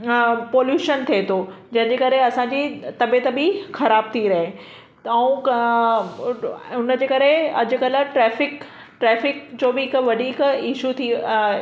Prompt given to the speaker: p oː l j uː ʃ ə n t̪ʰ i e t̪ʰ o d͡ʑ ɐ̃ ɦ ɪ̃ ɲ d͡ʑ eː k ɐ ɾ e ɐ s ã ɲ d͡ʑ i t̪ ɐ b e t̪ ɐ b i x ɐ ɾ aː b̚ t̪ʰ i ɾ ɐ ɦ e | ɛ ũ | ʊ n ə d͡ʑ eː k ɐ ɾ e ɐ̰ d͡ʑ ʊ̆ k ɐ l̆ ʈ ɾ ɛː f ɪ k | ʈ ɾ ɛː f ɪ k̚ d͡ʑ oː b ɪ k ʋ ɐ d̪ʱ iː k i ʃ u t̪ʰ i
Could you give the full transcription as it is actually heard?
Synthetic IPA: p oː l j uː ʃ ə n t̪ʰ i e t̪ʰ o d͡ʑ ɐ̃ ɦ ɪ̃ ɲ d͡ʑ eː k ɐ ɾ e ɐ s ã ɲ d͡ʑ i t̪ ɐ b e t̪ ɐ b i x ɐ ɾ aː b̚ t̪ʰ i ɾ ɐ ɦ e | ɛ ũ | ʊ n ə d͡ʑ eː k ɐ ɾ e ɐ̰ d͡ʑ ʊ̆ k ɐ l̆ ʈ ɾ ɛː f ɪ k | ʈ ɾ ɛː f ɪ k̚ d͡ʑ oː b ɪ k ʋ ɐ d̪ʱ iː k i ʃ u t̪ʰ i

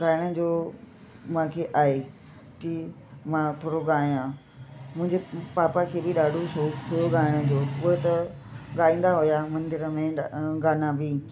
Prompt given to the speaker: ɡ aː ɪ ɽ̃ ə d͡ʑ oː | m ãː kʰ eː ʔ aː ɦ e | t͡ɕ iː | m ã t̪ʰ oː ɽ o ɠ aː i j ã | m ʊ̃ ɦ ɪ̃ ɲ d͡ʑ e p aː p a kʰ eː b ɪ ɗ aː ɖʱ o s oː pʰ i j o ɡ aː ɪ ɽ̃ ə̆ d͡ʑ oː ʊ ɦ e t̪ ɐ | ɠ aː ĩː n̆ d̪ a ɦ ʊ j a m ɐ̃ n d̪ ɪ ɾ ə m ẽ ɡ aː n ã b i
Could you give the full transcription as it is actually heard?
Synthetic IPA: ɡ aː ɪ ɽ̃ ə d͡ʑ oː | m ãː kʰ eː ʔ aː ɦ e | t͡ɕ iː | m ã t̪ʰ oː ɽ o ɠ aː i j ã | m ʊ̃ ɦ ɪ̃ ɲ d͡ʑ e p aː p a kʰ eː b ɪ ɗ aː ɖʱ o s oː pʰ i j o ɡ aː ɪ ɽ̃ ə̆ d͡ʑ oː ʊ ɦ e t̪ ɐ | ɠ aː ĩː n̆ d̪ a ɦ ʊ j a m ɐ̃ n d̪ ɪ ɾ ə m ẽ ɡ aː n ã b i

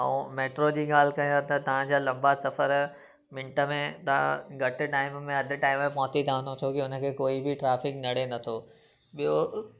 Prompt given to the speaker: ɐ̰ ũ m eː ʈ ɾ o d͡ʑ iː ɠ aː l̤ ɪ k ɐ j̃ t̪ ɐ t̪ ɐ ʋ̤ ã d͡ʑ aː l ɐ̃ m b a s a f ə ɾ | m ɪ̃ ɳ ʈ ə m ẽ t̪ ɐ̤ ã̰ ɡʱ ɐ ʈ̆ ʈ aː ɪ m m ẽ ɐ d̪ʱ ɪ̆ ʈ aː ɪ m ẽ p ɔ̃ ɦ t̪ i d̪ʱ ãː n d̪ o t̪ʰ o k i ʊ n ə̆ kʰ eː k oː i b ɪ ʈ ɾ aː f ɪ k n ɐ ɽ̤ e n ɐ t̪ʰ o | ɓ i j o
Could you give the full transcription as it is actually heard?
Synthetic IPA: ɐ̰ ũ m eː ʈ ɾ o d͡ʑ iː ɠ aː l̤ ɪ k ɐ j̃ t̪ ɐ t̪ ɐ ʋ̤ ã d͡ʑ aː l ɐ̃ m b a s ɐ f ə ɾ | m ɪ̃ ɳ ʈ ə m ẽ t̪ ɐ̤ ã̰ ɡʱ ɐ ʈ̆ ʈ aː ɪ m m ẽ ɐ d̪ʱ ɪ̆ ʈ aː ɪ m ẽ p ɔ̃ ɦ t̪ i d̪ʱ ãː n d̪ o t̪ʰ o k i ʊ n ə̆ kʰ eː k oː i b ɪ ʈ ɾ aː f ɪ k n ɐ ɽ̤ e n ɐ t̪ʰ o | ɓ i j o

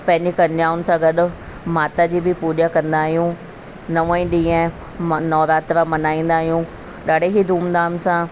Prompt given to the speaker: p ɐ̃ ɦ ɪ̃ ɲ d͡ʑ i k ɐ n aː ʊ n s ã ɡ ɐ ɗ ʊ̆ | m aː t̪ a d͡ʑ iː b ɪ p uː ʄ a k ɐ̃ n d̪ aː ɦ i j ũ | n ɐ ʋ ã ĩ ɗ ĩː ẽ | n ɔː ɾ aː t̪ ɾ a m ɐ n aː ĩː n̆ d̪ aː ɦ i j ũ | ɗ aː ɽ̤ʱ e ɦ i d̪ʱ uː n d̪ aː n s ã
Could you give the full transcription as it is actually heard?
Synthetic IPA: p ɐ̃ ɦ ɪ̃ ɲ d͡ʑ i k ɐ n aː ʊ n s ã ɡ ɐ ɗ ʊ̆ | m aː t̪ a d͡ʑ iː b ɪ p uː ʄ a k ɐ̃ n d̪ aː ɦ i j ũ | n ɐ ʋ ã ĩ ɗ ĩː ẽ | n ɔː ɾ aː t̪ ɾ a m ɐ n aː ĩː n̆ d̪ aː ɦ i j ũ | ɗ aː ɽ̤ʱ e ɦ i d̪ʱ uː m d̪ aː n s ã

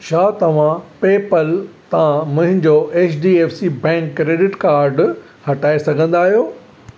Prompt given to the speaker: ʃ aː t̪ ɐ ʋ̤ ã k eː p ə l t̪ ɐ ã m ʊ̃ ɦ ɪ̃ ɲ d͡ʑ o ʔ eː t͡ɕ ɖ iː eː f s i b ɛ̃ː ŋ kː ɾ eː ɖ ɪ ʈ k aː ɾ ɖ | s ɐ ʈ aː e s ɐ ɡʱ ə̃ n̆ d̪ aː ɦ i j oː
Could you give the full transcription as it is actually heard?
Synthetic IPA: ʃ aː t̪ ɐ ʋ̤ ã p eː p ə l t̪ ɐ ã m ʊ̃ ɦ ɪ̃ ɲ d͡ʑ o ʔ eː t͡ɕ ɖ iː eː f s i b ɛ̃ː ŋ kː ɾ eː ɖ ɪ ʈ k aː ɾ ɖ | h ɐ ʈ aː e s ɐ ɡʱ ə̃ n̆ d̪ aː ɦ i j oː

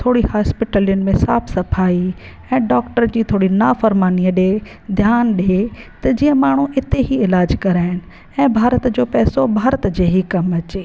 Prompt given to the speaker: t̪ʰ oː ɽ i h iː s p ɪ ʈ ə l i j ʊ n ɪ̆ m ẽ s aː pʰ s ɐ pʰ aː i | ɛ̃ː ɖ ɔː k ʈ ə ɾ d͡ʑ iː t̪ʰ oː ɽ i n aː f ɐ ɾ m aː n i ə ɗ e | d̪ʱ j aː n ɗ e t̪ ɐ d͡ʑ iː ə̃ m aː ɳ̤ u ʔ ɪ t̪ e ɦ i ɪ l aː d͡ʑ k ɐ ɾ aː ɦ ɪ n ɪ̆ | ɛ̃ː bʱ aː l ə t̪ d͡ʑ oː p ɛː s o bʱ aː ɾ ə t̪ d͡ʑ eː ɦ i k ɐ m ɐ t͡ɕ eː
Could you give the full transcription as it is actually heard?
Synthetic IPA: t̪ʰ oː ɽ i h aː s p ɪ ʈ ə l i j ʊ n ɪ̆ m ẽ s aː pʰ s ɐ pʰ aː i | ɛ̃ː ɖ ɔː k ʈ ə ɾ d͡ʑ iː t̪ʰ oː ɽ i n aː f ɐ ɾ m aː n i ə ɗ e | d̪ʱ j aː n ɗ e t̪ ɐ d͡ʑ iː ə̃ m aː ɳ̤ u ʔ ɪ t̪ e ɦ i ɪ l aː d͡ʑ k ɐ ɾ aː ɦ ɪ n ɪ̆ | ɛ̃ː bʱ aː ɾ ə t̪ d͡ʑ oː p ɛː s o bʱ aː ɾ ə t̪ d͡ʑ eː ɦ i k ɐ m ɐ t͡ɕ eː

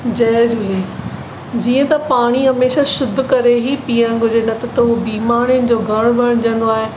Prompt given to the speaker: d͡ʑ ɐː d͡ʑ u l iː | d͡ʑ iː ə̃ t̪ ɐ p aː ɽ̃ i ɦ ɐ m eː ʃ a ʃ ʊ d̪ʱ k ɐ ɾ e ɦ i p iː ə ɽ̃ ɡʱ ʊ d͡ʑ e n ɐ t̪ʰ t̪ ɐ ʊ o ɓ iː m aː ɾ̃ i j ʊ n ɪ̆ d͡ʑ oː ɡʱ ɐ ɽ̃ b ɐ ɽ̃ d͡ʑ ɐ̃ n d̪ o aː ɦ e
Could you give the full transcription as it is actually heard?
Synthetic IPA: d͡ʑ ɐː d͡ʑ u l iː | d͡ʑ iː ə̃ t̪ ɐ p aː ɽ̃ i ɦ ɐ m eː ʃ a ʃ ʊ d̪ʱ k ɐ ɾ e ɦ i p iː ə ɽ̃ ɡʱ ʊ d͡ʑ e n ɐ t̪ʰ t̪ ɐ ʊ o b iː m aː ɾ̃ i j ʊ n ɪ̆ d͡ʑ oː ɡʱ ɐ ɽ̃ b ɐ ɽ̃ d͡ʑ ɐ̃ n d̪ o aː ɦ e

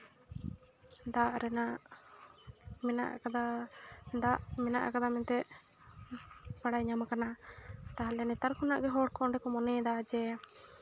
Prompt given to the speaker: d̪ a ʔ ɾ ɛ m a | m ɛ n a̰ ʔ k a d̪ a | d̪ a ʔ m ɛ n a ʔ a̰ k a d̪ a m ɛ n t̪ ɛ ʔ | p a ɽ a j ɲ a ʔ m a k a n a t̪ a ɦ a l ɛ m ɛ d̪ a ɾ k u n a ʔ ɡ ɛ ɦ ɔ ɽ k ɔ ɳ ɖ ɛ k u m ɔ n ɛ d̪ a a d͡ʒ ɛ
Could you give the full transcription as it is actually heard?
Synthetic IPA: d̪ a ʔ ɾ ɛ n a | m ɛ n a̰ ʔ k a d̪ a | d̪ a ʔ m ɛ n a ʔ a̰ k a d̪ a m ɛ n t̪ ɛ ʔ | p a ɽ a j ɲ a m a k a n a t̪ a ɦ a l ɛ n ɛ t̪ a ɾ k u n a ʔ ɡ ɛ ɦ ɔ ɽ k ɔ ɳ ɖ ɛ k ɔ m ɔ n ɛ d̪ a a d͡ʒ ɛ

